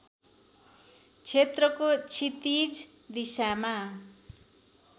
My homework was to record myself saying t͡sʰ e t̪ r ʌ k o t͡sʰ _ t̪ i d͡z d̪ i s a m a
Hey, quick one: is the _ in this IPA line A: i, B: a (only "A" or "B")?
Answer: A